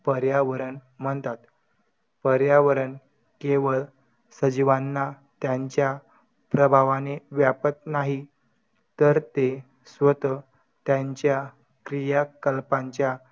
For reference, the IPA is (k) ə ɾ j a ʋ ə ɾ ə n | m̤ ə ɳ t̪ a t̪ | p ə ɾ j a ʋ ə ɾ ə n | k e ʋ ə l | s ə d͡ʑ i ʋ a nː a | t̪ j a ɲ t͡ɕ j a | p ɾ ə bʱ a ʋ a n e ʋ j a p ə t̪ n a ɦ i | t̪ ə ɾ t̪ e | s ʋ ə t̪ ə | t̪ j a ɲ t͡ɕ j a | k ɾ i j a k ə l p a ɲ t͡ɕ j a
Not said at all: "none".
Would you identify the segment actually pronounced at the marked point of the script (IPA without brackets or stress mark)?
p